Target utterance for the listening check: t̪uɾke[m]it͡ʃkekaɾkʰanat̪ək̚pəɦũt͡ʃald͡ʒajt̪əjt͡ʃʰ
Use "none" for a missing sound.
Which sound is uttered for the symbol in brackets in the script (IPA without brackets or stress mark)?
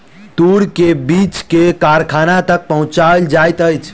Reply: b